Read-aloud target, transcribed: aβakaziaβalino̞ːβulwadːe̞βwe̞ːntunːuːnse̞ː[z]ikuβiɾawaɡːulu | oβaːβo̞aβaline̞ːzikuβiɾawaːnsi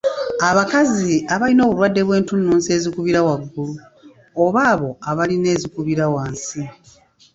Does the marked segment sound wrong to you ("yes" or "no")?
no